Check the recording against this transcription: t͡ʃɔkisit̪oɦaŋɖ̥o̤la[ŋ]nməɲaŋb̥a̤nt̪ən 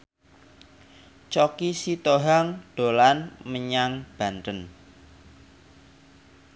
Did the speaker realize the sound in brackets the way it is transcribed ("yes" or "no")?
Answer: no